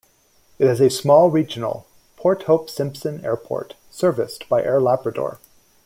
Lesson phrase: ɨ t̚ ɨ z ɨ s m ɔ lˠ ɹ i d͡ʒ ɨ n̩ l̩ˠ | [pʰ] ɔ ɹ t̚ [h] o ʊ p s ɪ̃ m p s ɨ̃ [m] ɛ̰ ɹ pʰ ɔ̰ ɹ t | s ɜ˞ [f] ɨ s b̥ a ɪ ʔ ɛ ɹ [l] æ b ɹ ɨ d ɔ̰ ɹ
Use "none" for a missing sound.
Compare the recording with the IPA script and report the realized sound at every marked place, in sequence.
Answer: pʰ, h, n, v, l

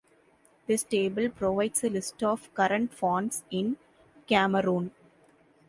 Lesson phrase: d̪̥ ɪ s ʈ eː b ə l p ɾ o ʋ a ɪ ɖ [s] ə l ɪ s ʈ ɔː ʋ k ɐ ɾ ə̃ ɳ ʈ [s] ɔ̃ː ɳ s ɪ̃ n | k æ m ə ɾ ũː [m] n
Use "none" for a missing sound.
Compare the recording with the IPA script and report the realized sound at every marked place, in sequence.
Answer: s, f, none

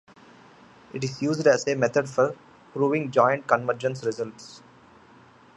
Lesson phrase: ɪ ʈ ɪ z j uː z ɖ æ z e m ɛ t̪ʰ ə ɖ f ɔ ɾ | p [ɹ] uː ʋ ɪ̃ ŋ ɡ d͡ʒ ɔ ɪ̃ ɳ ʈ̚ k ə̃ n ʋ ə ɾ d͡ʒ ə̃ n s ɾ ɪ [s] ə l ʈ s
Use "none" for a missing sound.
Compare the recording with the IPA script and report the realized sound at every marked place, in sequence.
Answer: ɾ, z

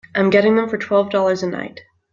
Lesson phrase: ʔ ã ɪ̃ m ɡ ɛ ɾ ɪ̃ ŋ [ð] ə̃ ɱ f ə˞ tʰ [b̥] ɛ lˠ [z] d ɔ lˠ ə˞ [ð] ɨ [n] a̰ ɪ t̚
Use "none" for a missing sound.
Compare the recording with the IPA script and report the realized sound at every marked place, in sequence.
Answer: ð, w̥, v, z, n

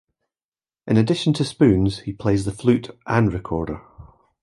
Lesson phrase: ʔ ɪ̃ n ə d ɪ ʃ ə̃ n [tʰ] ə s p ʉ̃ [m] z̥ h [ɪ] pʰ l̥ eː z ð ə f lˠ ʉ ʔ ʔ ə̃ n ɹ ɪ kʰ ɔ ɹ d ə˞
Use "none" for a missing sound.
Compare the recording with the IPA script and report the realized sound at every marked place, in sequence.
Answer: tʰ, n, i

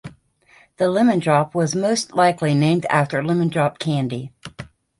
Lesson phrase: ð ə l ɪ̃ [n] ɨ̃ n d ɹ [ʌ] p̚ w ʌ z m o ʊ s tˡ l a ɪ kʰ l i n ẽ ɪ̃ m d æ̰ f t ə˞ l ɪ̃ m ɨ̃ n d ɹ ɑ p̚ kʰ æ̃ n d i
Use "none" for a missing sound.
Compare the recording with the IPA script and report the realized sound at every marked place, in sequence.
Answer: m, ɑ

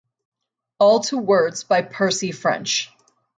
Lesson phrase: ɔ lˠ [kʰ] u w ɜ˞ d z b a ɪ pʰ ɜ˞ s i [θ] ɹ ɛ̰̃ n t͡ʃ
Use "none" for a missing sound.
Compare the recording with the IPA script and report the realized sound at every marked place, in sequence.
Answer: tʰ, f

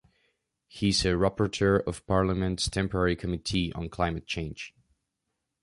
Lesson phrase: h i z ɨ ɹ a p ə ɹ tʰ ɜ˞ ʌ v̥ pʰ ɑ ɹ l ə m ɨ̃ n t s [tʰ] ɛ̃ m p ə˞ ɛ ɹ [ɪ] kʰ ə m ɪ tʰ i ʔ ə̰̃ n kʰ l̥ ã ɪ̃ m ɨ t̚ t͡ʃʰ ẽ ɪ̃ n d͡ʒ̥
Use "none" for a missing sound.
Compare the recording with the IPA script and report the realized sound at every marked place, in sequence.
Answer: tʰ, i

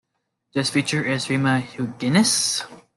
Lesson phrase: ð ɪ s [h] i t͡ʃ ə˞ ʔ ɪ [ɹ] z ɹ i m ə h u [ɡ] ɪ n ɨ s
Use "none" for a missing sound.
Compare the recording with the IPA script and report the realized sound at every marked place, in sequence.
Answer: f, none, ɡ

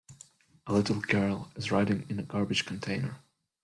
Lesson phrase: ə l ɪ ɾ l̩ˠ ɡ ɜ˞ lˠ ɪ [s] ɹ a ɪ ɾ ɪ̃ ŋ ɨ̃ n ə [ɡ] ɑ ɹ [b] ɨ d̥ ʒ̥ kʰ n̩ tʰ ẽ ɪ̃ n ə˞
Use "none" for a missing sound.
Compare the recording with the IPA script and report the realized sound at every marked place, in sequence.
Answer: z, ɡ, b

